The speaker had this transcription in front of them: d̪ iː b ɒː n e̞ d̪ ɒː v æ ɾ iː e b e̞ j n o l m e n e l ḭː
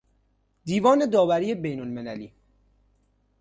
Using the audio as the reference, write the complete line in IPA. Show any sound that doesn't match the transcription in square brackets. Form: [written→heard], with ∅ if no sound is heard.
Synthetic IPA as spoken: d̪ iː [b→v] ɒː n e̞ d̪ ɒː v æ ɾ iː e b e̞ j n o l m e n [e→æ] l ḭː

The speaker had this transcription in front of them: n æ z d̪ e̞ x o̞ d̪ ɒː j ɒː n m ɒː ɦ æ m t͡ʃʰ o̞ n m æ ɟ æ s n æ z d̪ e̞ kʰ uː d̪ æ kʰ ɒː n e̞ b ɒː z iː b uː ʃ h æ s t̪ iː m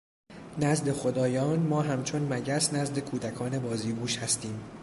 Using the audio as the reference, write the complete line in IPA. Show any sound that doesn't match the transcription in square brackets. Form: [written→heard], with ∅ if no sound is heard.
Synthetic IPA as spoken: n æ z d̪ e̞ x o̞ d̪ ɒː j ɒː n m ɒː ɦ æ m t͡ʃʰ o̞ n m æ ɟ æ s n æ z d̪ e̞ kʰ uː d̪ æ kʰ ɒː n e̞ b ɒː z iː b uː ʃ h æ s t̪ iː m

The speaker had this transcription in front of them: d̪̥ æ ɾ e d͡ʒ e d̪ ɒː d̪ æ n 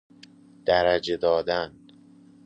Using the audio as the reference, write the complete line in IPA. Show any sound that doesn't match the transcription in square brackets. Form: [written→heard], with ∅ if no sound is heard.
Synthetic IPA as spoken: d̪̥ æ ɾ [e→æ] d͡ʒ e d̪ ɒː d̪ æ n

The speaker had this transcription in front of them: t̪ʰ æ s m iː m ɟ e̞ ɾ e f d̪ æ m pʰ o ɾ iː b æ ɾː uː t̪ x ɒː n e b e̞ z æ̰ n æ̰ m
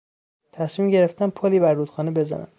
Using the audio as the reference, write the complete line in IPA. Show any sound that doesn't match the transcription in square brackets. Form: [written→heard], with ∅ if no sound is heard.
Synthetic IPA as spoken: t̪ʰ æ s m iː m ɟ e̞ ɾ e f [d̪→t̪] æ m pʰ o [ɾ→l] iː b æ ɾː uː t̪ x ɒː n e b e̞ z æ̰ n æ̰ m

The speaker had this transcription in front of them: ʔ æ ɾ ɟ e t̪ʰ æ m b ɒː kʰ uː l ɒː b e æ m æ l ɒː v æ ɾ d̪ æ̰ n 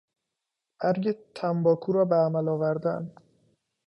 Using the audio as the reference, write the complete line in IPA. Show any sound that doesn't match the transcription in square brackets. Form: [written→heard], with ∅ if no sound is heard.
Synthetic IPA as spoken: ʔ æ ɾ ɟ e t̪ʰ æ m b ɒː kʰ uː [l→ɾ] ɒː b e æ m æ l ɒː v æ ɾ d̪ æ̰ n

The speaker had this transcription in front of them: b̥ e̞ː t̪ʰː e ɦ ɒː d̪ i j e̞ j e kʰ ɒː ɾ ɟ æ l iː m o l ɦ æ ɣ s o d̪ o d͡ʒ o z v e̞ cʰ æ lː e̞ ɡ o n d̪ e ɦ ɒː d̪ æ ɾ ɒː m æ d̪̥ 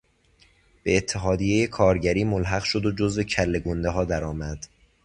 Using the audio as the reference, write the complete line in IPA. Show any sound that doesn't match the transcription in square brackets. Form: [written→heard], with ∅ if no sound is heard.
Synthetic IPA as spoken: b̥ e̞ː t̪ʰː e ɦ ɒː d̪ i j e̞ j e kʰ ɒː ɾ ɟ æ [l→ɾ] iː m o l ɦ æ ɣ [s→ʃ] o d̪ o d͡ʒ o z v e̞ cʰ æ lː e̞ ɡ o n d̪ e ɦ ɒː d̪ æ ɾ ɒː m æ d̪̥

